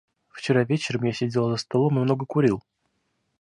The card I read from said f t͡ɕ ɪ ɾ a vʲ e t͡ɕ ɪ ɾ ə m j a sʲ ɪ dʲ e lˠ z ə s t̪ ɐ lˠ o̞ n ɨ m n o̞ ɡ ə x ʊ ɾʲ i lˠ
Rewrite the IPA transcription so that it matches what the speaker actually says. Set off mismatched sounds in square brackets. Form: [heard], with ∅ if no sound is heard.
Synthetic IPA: f t͡ɕ ɪ ɾ a vʲ e t͡ɕ ɪ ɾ ə m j a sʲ ɪ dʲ e lˠ z ə s t̪ ɐ lˠ o̞ [m] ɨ m n o̞ ɡ ə [k] ʊ ɾʲ i lˠ